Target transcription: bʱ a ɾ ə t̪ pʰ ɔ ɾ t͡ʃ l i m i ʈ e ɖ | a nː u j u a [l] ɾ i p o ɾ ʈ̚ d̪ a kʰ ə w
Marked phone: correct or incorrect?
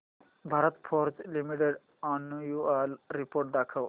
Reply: correct